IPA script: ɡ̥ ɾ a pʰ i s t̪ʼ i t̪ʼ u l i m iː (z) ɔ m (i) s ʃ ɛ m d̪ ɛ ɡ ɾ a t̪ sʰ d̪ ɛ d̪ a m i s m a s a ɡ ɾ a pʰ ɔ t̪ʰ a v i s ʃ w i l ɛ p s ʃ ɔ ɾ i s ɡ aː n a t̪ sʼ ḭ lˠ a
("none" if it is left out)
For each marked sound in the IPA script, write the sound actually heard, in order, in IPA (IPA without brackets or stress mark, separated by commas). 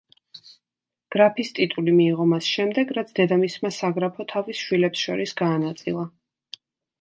ʁ, a